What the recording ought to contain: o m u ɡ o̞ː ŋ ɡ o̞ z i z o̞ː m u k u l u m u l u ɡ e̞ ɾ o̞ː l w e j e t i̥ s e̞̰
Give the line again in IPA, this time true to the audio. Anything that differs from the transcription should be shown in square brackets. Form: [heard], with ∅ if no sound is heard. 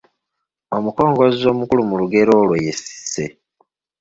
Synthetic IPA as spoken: o m u [k] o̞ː ŋ ɡ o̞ z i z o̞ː m u k u l u m u l u ɡ e̞ ɾ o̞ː l w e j e [s] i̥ s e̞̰